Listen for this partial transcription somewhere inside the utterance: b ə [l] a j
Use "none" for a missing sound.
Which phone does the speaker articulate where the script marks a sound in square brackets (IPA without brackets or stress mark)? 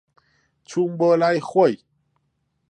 l